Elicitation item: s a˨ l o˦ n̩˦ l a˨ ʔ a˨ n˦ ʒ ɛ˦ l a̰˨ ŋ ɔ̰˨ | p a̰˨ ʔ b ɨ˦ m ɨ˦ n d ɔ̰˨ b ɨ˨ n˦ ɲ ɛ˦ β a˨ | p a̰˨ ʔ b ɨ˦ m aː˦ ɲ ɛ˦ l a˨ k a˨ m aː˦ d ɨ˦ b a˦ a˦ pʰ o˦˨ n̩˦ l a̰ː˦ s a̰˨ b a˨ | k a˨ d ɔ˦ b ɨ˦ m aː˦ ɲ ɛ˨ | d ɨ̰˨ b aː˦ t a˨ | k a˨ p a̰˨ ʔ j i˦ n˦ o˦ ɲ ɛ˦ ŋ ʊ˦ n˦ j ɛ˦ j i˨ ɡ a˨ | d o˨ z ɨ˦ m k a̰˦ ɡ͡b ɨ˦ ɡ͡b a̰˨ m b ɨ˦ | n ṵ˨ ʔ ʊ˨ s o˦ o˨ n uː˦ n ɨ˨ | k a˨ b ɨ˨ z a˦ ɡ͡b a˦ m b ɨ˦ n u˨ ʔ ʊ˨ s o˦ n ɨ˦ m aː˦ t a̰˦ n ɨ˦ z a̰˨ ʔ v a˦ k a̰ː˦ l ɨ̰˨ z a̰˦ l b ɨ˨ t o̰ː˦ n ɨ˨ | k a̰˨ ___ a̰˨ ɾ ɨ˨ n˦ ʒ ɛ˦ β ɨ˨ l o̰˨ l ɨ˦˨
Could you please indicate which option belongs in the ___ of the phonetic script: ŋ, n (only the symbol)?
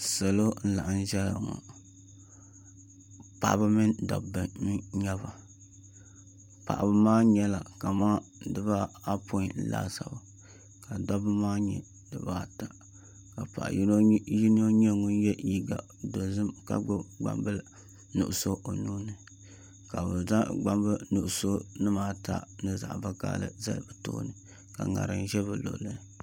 ŋ